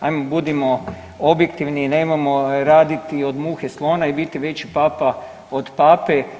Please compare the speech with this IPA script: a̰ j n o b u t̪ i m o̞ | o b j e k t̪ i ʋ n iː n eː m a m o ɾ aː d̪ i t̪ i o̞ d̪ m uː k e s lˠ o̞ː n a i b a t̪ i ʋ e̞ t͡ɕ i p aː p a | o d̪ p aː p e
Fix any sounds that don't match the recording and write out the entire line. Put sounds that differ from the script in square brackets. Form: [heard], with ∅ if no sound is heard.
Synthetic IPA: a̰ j [m] o b u [d̪] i m o̞ | o b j e k t̪ i ʋ n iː n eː m a m o ɾ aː d̪ i t̪ i o̞ d̪ m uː [x] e s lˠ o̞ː n a i b [i] t̪ i ʋ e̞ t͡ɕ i p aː p a | o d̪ p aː p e